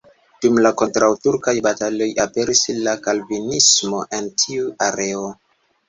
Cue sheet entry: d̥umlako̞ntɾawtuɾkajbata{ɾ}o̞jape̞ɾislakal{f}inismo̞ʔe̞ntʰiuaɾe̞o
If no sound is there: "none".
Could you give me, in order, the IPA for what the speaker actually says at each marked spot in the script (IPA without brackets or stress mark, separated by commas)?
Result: l, v